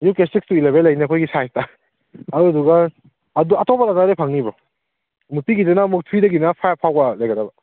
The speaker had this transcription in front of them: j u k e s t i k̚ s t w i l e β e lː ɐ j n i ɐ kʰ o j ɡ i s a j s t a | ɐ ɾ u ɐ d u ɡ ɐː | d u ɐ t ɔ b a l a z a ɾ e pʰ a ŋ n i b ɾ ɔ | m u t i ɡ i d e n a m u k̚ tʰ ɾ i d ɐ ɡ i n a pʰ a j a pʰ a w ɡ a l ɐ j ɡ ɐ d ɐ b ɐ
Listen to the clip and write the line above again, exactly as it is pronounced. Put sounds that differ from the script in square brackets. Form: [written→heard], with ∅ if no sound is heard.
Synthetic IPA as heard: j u k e s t i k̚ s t [w→u] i l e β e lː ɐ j n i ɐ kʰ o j ɡ i s a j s t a | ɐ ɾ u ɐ d u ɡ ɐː | d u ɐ t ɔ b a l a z a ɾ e pʰ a ŋ n i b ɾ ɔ | m u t i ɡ i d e n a m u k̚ tʰ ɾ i d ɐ ɡ i n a pʰ a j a pʰ a w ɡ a l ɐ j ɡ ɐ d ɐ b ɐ